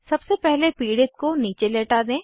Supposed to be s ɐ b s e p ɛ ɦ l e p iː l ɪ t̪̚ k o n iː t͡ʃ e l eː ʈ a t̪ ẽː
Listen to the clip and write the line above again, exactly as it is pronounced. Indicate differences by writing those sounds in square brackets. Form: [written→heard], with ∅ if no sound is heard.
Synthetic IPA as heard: s ɐ b s e p ɛ ɦ l e p iː [l→ɽ] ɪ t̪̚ k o n iː t͡ʃ e l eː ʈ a [t̪→d̪] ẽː